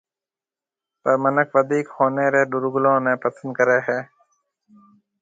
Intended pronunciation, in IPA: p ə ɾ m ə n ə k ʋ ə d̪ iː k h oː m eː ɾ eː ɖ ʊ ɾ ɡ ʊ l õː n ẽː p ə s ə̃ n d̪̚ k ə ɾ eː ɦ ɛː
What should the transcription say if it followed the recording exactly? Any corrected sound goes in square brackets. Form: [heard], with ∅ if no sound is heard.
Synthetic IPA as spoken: p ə ɾ m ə n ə k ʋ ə d̪ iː k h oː [n] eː ɾ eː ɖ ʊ ɾ ɡ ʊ l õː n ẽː p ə s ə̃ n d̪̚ k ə ɾ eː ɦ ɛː

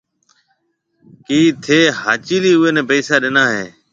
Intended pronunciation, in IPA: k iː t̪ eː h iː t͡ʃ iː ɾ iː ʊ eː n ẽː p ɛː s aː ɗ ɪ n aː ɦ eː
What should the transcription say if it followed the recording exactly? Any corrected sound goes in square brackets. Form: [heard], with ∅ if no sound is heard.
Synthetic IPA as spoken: k iː [t̪ʰ] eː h [aː] t͡ʃ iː [l] iː ʊ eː n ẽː p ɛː s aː ɗ ɪ n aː ɦ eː

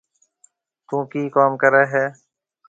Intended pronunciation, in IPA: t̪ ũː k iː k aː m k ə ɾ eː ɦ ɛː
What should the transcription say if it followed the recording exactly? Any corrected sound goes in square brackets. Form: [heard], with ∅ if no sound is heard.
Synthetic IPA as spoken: t̪ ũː k iː k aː m k ə ɾ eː ɦ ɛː

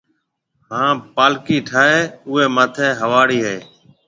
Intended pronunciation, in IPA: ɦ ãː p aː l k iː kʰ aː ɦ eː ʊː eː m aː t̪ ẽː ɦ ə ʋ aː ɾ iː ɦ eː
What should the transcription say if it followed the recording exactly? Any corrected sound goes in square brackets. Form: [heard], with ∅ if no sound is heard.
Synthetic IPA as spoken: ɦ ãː p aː l k iː [ʈʰ] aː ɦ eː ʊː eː m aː [t̪ʰ] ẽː ɦ ə ʋ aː [ɽ] iː ɦ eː

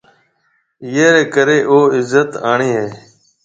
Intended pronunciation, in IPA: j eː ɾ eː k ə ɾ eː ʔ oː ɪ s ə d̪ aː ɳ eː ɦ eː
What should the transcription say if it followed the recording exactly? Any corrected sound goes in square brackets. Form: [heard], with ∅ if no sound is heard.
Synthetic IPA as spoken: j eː ɾ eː k ə ɾ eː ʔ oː ɪ [z] ə [t̪] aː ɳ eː ɦ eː

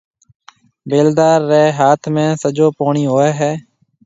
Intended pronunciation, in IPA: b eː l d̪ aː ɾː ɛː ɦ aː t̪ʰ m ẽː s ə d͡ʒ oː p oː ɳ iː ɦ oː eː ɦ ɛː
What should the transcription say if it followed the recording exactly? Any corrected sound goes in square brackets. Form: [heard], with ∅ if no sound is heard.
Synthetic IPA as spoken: b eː l d̪ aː ɾː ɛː ɦ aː t̪ʰ m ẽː s ə d͡ʒ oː p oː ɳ iː ɦ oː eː ɦ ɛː

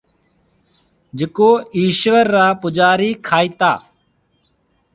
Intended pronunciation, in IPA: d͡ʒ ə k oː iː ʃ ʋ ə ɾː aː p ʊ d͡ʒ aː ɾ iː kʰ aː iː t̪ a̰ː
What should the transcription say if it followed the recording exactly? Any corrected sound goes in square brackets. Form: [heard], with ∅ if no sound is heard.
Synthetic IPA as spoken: d͡ʒ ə k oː iː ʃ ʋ ə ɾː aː p ʊ d͡ʒ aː ɾ iː kʰ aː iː t̪ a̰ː

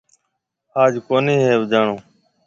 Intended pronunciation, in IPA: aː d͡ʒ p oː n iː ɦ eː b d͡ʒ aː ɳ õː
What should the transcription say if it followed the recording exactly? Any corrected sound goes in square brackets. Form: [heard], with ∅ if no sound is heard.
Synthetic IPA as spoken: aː d͡ʒ [k] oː n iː ɦ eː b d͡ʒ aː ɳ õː

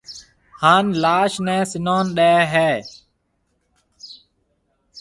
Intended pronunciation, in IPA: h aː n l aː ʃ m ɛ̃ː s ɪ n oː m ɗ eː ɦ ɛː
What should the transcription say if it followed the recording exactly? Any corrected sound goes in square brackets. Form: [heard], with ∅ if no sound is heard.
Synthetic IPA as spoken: h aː n l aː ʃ [n] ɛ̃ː s ɪ n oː [n] ɗ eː ɦ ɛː

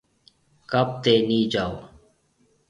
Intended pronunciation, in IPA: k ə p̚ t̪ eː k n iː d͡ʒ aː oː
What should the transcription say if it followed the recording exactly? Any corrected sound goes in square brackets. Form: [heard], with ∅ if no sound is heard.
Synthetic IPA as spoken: k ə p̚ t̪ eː [∅] n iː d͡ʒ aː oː

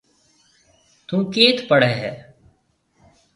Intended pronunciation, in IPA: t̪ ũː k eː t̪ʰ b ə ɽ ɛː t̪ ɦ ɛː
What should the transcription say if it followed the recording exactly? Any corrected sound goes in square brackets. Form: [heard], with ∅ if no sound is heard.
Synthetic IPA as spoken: t̪ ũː k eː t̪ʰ [p] ə ɽ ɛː [∅] ɦ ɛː

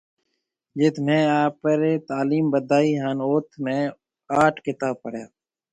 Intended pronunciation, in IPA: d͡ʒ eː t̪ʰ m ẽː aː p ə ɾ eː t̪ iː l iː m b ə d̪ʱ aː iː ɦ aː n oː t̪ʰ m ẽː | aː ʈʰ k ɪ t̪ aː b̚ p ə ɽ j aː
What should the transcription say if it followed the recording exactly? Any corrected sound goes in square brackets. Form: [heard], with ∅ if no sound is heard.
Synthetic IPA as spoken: d͡ʒ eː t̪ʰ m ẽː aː p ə ɾ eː t̪ [aː] l iː m b ə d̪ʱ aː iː ɦ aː n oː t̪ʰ m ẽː | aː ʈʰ k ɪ t̪ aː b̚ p ə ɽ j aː

